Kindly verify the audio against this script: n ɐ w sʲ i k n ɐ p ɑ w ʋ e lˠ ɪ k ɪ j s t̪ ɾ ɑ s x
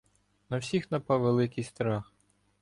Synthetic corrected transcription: n ɐ w sʲ i x n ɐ p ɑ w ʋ e lˠ ɪ k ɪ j s t̪ ɾ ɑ x